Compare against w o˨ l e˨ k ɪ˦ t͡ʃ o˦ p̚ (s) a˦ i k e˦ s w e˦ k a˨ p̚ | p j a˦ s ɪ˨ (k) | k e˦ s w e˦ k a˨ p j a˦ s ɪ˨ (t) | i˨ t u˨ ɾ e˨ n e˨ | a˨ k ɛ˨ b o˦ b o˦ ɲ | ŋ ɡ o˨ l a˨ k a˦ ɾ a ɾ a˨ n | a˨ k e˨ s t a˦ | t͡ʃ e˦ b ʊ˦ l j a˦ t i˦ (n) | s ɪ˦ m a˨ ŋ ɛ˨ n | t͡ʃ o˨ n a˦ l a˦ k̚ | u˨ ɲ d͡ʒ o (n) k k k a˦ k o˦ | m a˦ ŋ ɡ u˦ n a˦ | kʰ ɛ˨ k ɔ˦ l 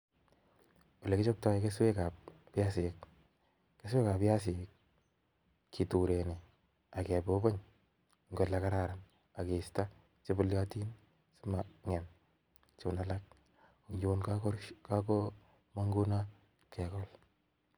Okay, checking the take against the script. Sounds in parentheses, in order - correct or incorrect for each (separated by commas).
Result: incorrect, correct, incorrect, correct, correct